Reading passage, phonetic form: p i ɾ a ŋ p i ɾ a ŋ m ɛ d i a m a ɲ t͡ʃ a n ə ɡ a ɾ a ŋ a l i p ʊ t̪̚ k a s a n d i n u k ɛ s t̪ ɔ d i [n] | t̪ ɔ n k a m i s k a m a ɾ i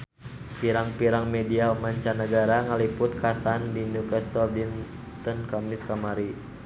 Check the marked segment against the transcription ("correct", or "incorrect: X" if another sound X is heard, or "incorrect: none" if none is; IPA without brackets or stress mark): correct